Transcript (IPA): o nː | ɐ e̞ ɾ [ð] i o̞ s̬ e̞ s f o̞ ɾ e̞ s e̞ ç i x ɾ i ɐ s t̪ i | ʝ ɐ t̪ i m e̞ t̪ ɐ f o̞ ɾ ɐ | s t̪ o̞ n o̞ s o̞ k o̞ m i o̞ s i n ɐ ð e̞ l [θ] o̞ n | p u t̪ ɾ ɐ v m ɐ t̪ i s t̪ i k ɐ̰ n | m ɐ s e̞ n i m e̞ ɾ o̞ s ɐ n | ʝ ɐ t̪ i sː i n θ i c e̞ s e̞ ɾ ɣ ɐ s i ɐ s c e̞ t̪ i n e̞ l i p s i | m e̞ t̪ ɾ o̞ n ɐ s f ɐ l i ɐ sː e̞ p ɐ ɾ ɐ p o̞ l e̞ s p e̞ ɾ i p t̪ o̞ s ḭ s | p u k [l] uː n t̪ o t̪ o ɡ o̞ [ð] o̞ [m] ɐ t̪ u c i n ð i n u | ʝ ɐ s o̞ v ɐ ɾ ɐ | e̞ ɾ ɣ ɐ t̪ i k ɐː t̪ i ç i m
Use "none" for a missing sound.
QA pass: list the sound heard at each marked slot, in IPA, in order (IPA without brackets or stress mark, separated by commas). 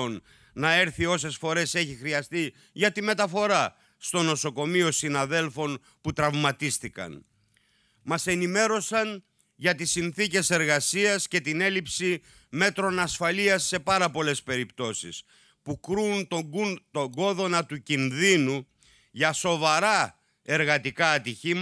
θ, f, ɾ, ð, n